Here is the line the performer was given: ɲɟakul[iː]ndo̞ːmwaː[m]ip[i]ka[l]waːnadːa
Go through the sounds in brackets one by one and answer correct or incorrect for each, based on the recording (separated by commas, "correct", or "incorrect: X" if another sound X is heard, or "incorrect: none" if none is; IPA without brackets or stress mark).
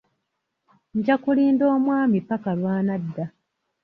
correct, correct, incorrect: a, correct